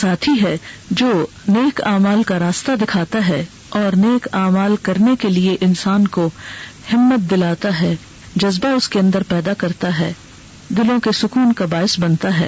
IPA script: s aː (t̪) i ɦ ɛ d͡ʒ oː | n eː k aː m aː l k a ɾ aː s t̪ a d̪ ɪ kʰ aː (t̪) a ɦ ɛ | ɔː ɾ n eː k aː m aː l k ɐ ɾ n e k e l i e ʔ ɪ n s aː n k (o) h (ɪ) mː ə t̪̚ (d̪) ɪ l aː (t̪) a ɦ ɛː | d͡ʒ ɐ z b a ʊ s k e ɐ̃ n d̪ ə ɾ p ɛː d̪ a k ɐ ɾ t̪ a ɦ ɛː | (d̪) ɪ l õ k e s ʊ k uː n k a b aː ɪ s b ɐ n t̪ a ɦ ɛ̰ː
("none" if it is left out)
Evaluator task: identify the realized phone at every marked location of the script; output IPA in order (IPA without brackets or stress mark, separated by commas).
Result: t̪ʰ, t̪, o, ɪ, d̪, t̪, d̪